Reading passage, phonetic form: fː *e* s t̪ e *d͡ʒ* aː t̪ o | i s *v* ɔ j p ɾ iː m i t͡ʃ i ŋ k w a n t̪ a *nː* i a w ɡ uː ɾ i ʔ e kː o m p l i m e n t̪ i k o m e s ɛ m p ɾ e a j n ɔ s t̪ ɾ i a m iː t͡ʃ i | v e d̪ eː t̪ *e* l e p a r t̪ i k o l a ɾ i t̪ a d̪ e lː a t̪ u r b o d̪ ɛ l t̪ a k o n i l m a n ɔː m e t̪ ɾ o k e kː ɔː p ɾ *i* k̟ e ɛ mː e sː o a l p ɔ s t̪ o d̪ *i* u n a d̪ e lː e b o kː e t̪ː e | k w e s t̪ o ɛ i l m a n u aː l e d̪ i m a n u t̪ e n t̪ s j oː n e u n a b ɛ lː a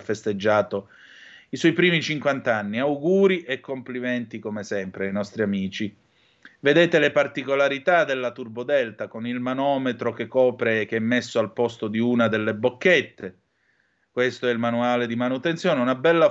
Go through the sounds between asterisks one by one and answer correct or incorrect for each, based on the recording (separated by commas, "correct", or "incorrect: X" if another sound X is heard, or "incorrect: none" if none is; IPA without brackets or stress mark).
correct, incorrect: d͡ʒː, incorrect: w, correct, correct, incorrect: e, correct